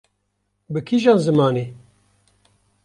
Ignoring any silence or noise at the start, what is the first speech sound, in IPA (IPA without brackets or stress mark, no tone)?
b